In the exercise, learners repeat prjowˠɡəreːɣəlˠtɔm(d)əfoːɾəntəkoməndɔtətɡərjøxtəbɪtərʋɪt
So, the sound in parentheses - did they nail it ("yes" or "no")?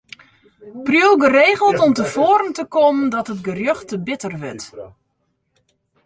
no